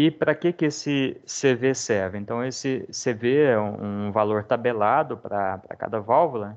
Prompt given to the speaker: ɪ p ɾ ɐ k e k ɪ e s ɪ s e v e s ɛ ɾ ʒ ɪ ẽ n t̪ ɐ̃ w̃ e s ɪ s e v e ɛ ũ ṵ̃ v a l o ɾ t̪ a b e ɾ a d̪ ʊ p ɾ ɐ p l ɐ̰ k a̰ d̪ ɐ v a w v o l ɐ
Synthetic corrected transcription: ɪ p ɾ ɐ k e k ɪ e s ɪ s e v e s ɛ ɾ v ɪ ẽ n t̪ ɐ̃ w̃ e s ɪ s e v e ɛ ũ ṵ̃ v a l o ɾ t̪ a b e l a d̪ ʊ p ɾ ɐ p ɾ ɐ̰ k a̰ d̪ ɐ v a w v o l ɐ

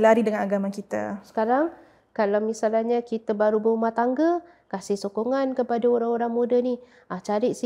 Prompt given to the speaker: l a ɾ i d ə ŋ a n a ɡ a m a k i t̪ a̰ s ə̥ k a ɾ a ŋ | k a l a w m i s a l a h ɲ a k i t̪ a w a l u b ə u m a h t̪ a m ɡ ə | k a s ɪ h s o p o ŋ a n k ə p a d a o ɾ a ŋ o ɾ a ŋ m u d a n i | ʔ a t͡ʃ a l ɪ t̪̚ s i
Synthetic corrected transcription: l a ɾ i d ə ŋ a n a ɡ a m a k i t̪ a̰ s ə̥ k a ɾ a ŋ | k a l a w m i s a l a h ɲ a k i t̪ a b a ɾ u b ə u m a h t̪ a ŋ ɡ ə | k a s ɪ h s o k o ŋ a n k ə p a d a o ɾ a ŋ o ɾ a ŋ m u d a n i | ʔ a t͡ʃ a ɾ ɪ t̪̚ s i

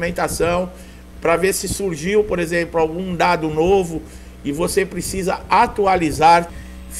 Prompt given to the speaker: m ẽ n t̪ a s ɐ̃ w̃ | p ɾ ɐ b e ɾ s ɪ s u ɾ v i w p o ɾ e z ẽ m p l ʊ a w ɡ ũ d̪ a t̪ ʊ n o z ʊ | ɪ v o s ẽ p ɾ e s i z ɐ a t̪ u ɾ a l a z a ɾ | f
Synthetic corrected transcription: m ẽ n t̪ a s ɐ̃ w̃ | p ɾ ɐ v e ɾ s ɪ s u ɾ ʒ i w p o ɾ e z ẽ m p l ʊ a w ɡ ũ d̪ a d̪ ʊ n o v ʊ | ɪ v o s e p ɾ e s i z ɐ a t̪ u a l i z a ɾ | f

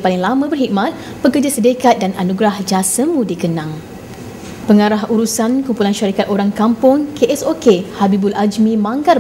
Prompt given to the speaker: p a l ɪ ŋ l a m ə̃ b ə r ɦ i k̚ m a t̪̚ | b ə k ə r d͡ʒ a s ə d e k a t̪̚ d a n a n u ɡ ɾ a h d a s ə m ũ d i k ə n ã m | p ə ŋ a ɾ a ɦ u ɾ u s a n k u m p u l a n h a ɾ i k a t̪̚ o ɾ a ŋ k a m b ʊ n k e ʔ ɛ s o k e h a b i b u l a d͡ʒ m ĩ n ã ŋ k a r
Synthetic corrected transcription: p a l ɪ ŋ l a m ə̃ b ə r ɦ i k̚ m a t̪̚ | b ə k ə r d͡ʒ a s ə d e k a t̪̚ d a n a n u ɡ ɾ a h d͡ʒ a s ə m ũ d i k ə n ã ŋ | p ə ŋ a ɾ a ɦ u ɾ u s a n k u m p u l a n ʃ a ɾ i k a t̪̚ o ɾ a ŋ k a m p ʊ ŋ k e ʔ ɛ s o k e h a b i b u l a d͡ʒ m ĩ m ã ŋ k a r

